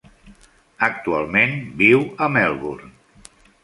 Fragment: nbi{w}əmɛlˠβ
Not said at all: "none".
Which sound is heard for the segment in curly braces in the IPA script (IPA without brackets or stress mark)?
w